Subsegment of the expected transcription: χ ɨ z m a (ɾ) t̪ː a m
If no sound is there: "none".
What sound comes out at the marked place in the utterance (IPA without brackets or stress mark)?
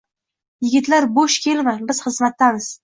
none